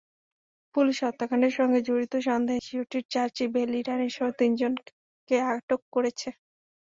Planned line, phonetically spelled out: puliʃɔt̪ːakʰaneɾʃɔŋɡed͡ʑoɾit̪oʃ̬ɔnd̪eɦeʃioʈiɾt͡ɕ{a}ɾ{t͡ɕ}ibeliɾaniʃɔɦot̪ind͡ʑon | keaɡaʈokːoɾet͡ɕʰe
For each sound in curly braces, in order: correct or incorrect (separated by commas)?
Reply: correct, correct